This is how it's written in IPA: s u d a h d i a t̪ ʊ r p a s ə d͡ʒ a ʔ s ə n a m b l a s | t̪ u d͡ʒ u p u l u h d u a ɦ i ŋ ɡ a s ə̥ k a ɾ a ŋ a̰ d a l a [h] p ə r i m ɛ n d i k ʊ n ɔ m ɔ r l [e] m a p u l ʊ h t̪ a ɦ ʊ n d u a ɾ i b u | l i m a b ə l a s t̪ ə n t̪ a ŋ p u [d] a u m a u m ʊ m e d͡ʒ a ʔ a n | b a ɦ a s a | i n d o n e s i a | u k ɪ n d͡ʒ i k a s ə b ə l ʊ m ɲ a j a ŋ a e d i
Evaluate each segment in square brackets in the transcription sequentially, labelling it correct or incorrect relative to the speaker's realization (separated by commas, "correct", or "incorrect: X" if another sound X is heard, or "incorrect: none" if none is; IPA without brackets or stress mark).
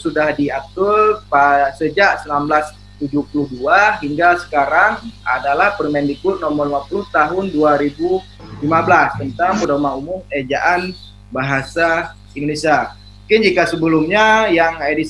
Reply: correct, incorrect: i, correct